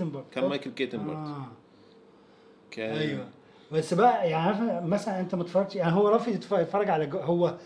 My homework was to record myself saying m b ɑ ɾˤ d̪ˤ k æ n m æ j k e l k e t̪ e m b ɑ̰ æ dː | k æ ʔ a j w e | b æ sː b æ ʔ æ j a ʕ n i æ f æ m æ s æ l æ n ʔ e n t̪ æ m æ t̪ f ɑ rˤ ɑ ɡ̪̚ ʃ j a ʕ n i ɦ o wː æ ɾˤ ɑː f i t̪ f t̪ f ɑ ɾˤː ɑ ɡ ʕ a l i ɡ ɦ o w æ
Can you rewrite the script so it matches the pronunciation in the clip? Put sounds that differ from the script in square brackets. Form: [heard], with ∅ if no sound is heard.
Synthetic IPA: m b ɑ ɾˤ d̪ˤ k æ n m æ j k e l k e t̪ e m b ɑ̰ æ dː | k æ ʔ [æ] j w [æ] | b æ sː b æ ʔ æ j a ʕ n i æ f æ m æ s æ l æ n ʔ e n t̪ æ m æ t̪ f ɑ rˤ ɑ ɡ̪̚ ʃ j a ʕ n i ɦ o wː æ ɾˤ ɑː f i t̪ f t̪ f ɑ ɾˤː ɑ ɡ ʕ a l [æ] ɡ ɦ o [wː] æ